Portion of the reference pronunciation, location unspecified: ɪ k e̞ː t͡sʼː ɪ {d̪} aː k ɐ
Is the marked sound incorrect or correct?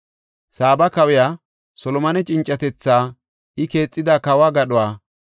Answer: correct